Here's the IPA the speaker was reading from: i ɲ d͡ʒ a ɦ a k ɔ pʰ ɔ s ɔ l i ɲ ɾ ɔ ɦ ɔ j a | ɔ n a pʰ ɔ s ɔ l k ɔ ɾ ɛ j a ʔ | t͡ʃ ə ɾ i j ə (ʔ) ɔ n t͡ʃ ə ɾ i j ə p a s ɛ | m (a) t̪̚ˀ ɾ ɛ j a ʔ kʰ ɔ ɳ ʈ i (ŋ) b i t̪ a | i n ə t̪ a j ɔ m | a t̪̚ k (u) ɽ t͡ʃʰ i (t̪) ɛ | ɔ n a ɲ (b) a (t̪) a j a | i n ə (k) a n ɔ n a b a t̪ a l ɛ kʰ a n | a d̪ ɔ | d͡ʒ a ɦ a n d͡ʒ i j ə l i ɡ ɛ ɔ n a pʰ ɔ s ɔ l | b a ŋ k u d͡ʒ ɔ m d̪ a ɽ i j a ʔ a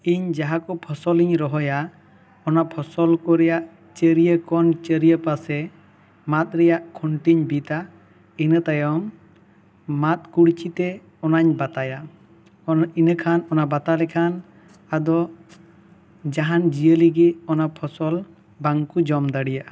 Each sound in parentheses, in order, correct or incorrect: incorrect, correct, incorrect, correct, correct, correct, correct, incorrect

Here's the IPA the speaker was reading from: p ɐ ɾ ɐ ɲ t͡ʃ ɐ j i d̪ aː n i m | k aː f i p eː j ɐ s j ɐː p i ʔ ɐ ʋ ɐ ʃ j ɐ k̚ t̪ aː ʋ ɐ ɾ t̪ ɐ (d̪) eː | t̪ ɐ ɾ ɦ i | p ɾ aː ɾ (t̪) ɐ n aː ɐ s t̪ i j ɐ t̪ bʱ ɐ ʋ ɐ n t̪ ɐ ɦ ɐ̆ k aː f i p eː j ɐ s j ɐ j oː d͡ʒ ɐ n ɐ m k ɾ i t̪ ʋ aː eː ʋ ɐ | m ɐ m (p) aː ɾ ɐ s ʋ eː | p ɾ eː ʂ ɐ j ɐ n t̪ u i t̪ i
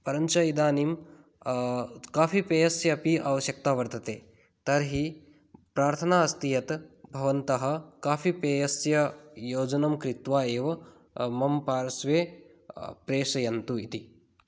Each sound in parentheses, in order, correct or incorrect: incorrect, incorrect, correct

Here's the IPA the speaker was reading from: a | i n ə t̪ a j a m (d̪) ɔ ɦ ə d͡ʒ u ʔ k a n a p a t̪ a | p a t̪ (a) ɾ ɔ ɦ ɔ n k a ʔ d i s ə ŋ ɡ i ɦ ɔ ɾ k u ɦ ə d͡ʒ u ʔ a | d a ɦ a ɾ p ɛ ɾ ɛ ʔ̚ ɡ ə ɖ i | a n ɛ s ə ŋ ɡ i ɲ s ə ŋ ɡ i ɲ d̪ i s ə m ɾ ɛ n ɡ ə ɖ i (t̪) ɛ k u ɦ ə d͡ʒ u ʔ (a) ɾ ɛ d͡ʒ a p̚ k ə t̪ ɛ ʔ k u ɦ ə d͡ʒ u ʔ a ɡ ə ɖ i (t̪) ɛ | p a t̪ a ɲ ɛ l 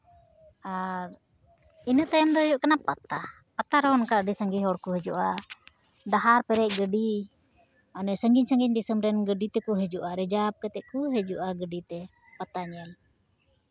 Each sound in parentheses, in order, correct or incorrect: correct, correct, correct, correct, correct

